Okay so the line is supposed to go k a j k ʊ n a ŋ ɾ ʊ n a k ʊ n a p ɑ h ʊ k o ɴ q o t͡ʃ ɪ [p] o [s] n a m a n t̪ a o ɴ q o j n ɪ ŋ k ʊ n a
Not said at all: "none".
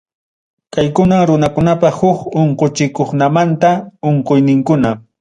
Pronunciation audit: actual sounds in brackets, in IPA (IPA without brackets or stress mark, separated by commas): k, χ